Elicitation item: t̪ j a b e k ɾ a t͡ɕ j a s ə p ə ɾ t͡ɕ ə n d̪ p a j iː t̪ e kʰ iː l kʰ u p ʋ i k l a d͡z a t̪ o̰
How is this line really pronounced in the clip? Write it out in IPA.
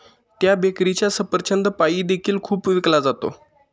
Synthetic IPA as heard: t̪ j a b e k ɾ i t͡ɕ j a s ə p ə ɾ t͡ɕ ə n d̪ p a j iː d̪ e kʰ iː l kʰ uː p ʋ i k l a d͡z a t̪ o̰